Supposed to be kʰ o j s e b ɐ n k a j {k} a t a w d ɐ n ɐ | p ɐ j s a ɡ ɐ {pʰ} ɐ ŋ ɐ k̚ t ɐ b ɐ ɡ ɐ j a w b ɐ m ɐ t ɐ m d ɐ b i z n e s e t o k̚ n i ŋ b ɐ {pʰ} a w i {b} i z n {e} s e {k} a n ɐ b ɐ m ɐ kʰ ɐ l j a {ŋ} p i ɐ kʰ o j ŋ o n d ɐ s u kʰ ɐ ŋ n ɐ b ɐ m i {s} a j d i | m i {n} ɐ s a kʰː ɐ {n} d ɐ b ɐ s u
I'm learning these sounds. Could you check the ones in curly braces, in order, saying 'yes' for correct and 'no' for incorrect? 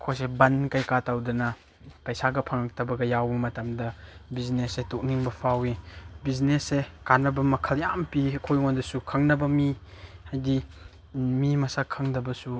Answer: yes, yes, yes, yes, yes, yes, no, no, no, no

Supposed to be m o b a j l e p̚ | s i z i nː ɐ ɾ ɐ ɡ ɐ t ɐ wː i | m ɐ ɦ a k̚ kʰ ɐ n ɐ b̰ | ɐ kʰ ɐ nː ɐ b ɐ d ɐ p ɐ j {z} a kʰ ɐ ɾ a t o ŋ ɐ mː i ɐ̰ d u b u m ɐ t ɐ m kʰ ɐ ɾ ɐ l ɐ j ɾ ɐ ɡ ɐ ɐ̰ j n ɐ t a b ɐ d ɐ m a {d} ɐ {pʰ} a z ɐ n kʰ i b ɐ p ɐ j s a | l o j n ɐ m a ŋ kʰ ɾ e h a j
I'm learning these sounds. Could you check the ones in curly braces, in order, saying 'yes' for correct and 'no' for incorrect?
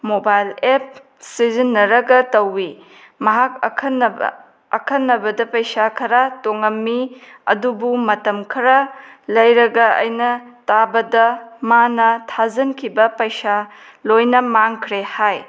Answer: no, no, no

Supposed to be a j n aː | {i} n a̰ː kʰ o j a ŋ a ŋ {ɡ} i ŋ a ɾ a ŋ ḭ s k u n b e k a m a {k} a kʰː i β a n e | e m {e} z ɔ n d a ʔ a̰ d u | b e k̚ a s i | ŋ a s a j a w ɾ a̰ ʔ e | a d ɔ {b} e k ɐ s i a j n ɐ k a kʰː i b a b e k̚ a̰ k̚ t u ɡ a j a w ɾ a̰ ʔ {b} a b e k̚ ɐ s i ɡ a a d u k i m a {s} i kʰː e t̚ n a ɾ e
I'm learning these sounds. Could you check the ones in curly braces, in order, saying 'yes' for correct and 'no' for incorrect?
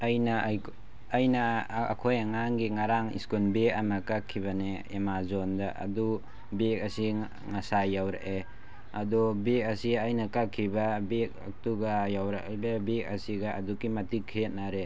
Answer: no, yes, yes, no, yes, yes, no

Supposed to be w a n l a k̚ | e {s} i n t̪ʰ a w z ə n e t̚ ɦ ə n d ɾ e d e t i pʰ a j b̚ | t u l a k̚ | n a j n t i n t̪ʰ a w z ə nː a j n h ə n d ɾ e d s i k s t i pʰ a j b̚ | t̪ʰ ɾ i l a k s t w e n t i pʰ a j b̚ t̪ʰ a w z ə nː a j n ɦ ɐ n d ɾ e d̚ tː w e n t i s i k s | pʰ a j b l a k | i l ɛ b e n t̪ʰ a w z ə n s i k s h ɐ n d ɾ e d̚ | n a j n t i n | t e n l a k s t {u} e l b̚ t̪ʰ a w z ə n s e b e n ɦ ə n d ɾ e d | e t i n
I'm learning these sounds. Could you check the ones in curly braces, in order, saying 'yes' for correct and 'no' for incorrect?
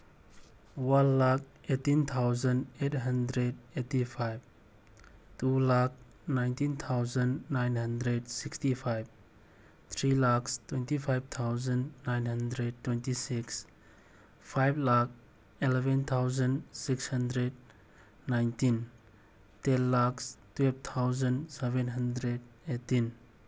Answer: no, no

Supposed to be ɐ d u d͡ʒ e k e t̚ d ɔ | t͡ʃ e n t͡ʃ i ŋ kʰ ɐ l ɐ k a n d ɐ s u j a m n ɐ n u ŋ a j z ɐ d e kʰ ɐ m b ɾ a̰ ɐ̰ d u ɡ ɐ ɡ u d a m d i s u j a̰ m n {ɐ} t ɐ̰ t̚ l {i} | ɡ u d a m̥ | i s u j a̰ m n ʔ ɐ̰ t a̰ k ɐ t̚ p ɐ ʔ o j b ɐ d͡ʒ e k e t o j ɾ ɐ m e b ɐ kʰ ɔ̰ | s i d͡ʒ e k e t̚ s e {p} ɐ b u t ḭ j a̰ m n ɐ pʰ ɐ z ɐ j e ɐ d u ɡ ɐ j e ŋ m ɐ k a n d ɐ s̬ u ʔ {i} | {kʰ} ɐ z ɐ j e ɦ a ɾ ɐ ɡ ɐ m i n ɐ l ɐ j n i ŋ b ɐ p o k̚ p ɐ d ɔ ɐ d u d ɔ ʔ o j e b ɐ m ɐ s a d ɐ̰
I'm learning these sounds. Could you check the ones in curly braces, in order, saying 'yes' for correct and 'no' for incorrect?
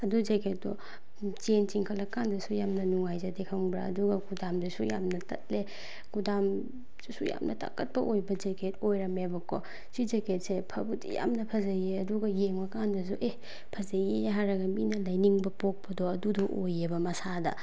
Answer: yes, no, no, no, no

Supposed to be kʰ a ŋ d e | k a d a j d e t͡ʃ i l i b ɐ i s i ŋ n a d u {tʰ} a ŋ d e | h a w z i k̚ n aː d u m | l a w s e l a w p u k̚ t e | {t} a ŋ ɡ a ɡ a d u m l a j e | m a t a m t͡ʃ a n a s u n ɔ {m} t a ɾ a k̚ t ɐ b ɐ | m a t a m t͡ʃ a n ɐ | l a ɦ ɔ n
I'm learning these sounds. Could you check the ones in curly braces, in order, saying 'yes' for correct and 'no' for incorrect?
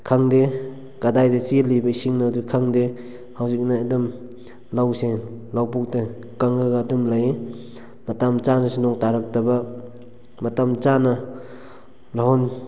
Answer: no, no, no

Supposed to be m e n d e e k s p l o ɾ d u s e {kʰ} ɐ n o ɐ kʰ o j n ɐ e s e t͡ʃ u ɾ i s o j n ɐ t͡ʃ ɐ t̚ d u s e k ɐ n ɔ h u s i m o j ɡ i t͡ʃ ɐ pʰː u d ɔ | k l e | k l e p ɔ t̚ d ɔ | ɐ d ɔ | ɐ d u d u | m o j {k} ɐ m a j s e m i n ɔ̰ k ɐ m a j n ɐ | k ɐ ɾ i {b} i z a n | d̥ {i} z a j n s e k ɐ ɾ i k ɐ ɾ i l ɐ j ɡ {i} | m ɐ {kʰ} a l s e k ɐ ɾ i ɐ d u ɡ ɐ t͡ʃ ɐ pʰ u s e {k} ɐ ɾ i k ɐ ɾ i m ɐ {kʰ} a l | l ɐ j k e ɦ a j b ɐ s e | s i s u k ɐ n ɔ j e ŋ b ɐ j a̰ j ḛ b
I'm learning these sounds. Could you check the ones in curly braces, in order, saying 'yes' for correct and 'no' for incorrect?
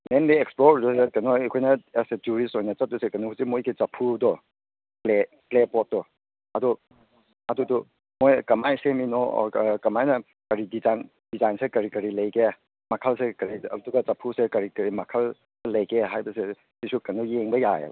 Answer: no, yes, no, yes, no, yes, yes, yes

